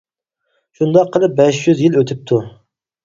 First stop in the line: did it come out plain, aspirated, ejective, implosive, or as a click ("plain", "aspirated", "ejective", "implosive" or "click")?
plain